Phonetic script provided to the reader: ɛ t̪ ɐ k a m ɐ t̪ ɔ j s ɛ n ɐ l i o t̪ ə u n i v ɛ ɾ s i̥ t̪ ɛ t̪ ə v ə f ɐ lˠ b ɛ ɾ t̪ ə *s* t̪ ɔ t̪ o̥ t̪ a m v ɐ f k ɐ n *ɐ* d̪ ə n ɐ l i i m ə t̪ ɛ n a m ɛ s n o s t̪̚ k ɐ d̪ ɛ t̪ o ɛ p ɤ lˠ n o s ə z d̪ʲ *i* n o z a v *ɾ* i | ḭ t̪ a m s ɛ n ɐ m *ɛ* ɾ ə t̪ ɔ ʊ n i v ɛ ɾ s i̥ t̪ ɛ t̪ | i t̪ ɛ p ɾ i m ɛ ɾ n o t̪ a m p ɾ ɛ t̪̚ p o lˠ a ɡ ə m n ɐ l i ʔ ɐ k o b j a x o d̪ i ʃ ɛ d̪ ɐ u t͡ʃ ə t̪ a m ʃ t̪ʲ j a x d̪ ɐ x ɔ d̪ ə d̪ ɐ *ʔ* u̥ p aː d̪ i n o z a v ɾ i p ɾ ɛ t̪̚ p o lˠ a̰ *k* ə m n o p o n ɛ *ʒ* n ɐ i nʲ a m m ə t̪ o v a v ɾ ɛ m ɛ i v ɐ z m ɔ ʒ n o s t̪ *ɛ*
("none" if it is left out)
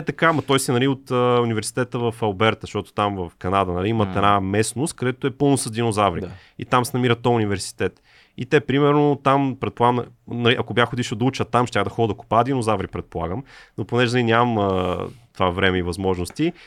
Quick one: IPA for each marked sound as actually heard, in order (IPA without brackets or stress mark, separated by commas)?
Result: ʃ, a, i, ɾ, i, k, ɡ, ʒ, i